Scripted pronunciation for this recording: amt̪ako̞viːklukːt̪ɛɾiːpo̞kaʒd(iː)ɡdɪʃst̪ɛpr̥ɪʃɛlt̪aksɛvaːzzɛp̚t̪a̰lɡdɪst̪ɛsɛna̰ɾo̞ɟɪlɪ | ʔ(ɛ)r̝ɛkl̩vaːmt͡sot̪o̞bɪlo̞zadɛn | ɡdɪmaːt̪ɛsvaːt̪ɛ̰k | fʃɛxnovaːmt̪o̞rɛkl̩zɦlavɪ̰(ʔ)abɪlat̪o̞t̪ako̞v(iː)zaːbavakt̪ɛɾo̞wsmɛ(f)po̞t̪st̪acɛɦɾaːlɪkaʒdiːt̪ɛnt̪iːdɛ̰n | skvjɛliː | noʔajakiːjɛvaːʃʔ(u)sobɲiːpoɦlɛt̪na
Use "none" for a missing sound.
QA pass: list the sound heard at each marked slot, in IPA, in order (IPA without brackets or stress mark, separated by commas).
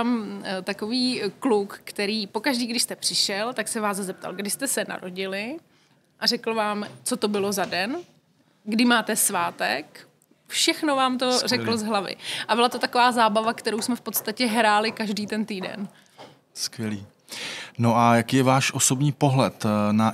iː, a, ʔ, aː, f, o